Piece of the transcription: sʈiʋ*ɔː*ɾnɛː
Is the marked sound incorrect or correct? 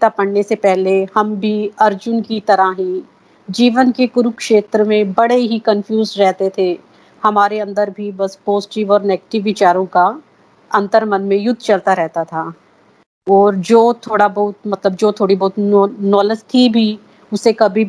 correct